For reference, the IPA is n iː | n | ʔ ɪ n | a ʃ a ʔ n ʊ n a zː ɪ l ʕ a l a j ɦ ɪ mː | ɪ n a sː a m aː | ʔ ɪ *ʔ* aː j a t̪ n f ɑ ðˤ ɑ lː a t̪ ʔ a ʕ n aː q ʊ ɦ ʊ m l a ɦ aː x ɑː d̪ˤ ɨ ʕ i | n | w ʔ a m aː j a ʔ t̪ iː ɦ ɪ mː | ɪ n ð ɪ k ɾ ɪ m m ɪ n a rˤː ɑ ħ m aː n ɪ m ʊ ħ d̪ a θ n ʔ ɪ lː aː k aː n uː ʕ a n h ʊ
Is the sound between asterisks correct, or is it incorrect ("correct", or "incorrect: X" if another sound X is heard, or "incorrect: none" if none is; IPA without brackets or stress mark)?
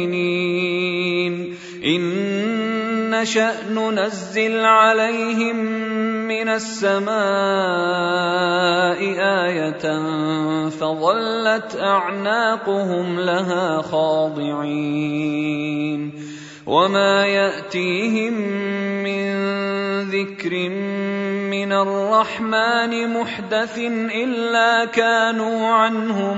correct